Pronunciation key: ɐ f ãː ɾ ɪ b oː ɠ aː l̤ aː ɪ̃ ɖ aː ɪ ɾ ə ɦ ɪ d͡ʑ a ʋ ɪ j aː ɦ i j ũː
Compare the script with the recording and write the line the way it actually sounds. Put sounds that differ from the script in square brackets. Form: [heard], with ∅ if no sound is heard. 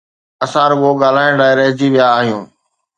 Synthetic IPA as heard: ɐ [s] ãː ɾ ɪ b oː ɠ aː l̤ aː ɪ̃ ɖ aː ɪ ɾ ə ɦ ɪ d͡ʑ [i] ʋ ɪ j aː ɦ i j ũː

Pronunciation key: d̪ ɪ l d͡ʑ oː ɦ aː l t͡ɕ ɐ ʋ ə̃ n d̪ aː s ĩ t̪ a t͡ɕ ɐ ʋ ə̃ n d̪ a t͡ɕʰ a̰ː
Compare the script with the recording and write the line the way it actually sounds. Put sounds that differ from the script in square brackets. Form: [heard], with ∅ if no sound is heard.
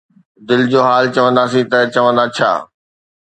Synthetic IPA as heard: d̪ ɪ l d͡ʑ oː ɦ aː l t͡ɕ ɐ ʋ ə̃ n d̪ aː s ĩ t̪ [ɐ] t͡ɕ ɐ ʋ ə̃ n d̪ a t͡ɕʰ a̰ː

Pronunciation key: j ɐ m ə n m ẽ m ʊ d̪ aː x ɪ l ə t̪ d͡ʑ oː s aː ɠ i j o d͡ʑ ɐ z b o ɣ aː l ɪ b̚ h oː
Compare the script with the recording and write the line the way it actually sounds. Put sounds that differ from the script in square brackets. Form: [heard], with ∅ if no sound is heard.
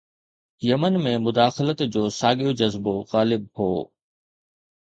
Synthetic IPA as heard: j ɐ m ə n m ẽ m ʊ d̪ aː x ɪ l ə t̪ d͡ʑ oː s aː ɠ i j o d͡ʑ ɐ z b o ɣ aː l ɪ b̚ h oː

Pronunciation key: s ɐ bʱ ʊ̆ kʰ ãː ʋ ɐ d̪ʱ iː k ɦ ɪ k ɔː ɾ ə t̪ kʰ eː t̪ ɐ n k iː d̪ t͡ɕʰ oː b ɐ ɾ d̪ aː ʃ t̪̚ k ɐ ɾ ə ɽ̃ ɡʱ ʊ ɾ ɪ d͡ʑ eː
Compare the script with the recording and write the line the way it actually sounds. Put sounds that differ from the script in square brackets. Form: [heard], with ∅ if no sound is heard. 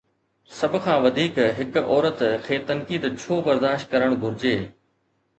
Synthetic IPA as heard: s ɐ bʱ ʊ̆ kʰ ãː ʋ ɐ d̪ʱ iː k ɦ ɪ k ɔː ɾ ə t̪ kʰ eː t̪ ɐ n k iː d̪ t͡ɕʰ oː b ɐ ɾ d̪ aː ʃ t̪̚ k ɐ ɾ ə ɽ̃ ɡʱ ʊ ɾ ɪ d͡ʑ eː

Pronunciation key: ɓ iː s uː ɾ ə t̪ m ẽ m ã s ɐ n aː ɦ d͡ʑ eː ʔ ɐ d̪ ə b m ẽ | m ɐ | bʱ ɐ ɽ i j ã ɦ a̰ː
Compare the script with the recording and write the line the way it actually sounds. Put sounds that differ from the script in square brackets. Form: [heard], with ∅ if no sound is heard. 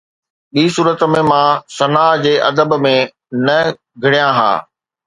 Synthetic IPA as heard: ɓ iː s uː ɾ ə t̪ m ẽ m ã s ɐ n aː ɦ d͡ʑ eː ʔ ɐ d̪ ə b m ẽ | [n] ɐ | [ɡʱ] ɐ ɽ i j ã ɦ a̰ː

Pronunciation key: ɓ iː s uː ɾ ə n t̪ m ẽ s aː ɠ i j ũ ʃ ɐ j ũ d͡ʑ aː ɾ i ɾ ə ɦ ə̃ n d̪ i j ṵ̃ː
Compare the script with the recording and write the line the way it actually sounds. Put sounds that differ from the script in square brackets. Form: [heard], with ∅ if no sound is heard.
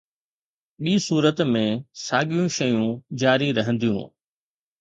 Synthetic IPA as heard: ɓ iː s uː ɾ ə [∅] t̪ m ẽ s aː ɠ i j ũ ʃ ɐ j ũ d͡ʑ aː ɾ i ɾ [ɐ] ɦ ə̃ n d̪ i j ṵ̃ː

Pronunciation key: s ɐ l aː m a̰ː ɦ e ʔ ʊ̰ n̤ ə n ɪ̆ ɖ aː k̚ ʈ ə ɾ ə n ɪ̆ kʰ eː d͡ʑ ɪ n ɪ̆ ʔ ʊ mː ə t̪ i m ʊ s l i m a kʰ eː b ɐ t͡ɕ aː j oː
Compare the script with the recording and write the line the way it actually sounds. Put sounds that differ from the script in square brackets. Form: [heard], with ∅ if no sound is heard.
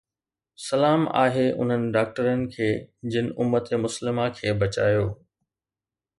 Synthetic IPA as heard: s ɐ l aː m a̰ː ɦ e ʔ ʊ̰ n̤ ə n ɪ̆ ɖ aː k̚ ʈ ə ɾ ə n ɪ̆ kʰ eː d͡ʑ ɪ n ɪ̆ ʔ ʊ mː ə t̪ [e] m ʊ s l [ɪ] m a kʰ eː b ɐ t͡ɕ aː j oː

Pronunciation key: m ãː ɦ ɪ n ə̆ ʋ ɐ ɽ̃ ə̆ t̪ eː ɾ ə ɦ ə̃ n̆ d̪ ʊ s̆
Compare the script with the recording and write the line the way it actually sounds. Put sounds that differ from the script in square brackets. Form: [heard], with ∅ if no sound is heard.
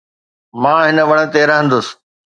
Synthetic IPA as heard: m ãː ɦ ɪ n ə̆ ʋ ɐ ɽ̃ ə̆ t̪ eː ɾ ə ɦ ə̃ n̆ d̪ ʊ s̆

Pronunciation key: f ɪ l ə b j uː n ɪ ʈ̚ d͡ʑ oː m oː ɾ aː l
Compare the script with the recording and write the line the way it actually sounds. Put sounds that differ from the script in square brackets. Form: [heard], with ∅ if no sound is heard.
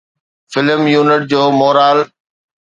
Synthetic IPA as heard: f ɪ l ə [m] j uː n ɪ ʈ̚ d͡ʑ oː m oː ɾ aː l

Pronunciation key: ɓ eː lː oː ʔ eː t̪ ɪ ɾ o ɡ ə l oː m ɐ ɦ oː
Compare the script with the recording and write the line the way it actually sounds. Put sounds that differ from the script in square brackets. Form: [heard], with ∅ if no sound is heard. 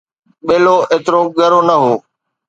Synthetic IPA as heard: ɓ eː [l] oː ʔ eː t̪ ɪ ɾ o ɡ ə [ɾ] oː [n] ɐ ɦ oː

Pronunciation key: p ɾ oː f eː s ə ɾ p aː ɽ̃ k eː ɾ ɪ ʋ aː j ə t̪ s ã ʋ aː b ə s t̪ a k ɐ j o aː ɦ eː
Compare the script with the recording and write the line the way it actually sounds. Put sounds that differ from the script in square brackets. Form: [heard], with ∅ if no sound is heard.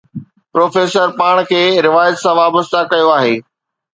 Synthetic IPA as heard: p ɾ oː f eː s ə ɾ p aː ɽ̃ [kʰ] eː ɾ ɪ ʋ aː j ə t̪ s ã ʋ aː b ə s t̪ a k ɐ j o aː ɦ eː

